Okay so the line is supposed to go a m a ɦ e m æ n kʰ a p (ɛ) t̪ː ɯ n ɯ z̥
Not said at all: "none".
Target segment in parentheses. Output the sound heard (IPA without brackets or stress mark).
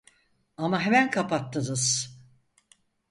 a